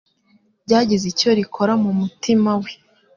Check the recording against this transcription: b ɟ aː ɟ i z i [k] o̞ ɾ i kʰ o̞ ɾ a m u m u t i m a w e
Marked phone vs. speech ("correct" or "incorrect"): incorrect